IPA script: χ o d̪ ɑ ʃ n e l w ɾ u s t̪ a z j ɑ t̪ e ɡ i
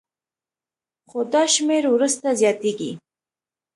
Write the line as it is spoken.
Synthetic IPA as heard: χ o d̪ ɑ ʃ m e ɾ w ɾ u s t̪ a z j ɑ t̪ e ɡ i